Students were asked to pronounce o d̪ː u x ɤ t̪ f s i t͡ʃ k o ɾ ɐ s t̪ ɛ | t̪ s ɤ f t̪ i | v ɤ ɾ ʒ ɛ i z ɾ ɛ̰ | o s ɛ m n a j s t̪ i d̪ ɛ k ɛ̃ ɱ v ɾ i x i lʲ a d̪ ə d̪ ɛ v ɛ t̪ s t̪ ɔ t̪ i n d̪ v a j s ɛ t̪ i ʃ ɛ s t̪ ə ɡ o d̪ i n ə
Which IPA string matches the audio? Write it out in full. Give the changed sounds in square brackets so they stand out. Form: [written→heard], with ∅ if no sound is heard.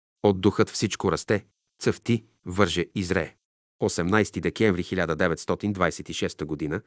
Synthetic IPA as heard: o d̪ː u x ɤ t̪ f s i t͡ʃ k o ɾ ɐ s t̪ ɛ | t̪ s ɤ f t̪ i | v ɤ ɾ ʒ ɛ i z ɾ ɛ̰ | o s ɛ m n a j s t̪ i d̪ ɛ k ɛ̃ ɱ v ɾ i x i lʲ a d̪ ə d̪ ɛ v ɛ t̪ s t̪ ɔ t̪ i n d̪ v a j s ɛ t̪ i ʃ ɛ s t̪ ə ɡ o d̪ i n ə